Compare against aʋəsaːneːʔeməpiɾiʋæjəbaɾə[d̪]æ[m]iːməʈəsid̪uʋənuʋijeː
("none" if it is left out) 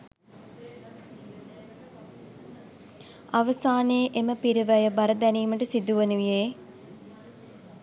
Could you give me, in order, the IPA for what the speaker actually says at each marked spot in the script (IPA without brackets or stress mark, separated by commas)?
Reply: d̪, n